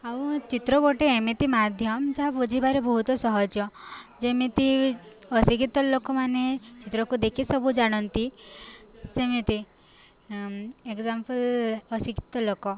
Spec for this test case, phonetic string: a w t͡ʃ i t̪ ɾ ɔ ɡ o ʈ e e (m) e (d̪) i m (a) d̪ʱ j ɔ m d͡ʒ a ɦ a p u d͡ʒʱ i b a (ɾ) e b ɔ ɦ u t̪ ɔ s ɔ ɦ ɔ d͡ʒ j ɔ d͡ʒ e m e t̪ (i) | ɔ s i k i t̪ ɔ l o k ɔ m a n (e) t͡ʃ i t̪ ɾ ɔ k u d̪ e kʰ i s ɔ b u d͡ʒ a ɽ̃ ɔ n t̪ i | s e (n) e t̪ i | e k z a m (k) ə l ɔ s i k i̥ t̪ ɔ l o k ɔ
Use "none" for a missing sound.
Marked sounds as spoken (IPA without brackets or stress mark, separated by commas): m, t̪, a, ɾ, i, e, m, p